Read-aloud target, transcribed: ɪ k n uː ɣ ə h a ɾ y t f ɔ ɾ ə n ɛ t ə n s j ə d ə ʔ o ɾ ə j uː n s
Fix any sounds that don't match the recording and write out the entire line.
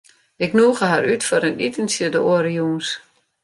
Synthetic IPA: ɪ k n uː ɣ ə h a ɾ y t f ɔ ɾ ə n i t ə n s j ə d ə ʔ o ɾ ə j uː n s